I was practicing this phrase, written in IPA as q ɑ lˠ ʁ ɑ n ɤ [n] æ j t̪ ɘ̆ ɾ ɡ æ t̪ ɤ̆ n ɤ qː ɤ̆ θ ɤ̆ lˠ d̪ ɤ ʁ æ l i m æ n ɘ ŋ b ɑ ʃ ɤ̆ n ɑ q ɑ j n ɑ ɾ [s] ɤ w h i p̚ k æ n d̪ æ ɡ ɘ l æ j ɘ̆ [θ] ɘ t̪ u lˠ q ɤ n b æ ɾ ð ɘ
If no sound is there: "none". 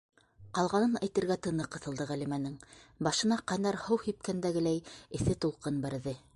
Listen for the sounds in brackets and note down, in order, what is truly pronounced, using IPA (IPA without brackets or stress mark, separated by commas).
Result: n, h, θ